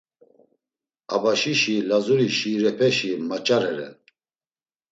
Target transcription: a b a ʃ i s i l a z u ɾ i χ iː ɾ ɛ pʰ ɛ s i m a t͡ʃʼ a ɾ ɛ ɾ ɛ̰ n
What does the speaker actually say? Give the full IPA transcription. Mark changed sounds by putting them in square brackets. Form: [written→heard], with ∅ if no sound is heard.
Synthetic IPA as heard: a b a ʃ i [s→ʃ] i l a z u ɾ i [χ→ʃ] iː ɾ ɛ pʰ ɛ [s→ʃ] i m a t͡ʃʼ a ɾ ɛ ɾ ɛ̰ n